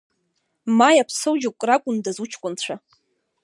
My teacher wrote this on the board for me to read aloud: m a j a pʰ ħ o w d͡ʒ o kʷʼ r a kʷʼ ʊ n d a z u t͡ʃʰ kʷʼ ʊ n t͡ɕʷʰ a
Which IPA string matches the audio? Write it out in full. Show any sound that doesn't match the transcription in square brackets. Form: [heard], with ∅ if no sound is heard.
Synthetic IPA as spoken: m a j a pʰ [s] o w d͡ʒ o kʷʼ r a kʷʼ ʊ n d a z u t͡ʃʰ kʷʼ ʊ n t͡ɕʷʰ a